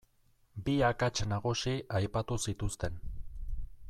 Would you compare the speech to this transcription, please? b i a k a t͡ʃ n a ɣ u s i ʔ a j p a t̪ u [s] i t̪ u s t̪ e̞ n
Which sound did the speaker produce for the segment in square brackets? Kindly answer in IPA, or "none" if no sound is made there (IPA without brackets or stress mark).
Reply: s